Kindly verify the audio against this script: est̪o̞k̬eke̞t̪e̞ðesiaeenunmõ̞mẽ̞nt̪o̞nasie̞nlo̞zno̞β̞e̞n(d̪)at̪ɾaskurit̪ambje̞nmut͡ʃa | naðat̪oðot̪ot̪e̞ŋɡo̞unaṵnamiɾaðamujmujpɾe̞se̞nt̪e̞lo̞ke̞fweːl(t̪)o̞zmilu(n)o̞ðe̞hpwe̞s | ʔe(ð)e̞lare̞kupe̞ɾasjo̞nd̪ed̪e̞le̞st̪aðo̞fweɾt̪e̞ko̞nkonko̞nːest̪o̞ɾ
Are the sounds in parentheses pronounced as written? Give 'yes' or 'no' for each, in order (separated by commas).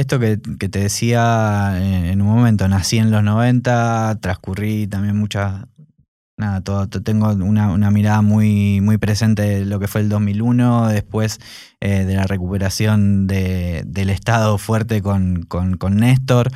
no, no, yes, yes